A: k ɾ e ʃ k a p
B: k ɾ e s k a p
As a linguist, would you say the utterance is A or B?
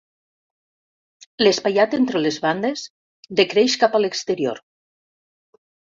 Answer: A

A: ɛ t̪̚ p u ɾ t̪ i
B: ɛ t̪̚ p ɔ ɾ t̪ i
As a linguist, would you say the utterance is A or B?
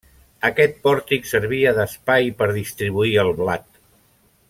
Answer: B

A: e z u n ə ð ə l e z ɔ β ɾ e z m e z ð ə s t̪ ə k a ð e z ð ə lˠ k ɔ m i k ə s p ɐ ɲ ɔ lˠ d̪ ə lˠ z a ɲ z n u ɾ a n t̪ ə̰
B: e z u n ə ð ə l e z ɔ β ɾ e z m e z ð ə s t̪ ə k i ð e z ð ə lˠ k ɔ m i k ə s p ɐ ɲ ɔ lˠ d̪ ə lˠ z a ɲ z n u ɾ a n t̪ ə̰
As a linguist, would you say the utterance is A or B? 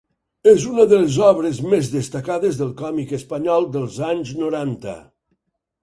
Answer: A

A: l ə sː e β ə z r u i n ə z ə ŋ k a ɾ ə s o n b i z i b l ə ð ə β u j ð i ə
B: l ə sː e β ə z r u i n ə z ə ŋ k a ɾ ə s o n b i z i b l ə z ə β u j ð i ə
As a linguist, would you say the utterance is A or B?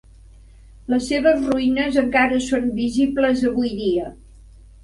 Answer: B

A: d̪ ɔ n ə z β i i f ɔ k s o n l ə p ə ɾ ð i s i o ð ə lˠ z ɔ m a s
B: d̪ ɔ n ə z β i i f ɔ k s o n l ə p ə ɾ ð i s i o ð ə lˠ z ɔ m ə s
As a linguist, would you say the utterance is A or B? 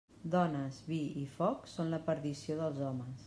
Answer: B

